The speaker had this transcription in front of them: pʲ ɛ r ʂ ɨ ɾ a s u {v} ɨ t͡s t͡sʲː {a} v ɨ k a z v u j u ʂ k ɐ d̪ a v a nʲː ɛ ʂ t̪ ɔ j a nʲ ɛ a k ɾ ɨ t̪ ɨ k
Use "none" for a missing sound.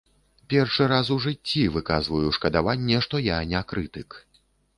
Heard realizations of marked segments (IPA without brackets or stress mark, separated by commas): ʐ, i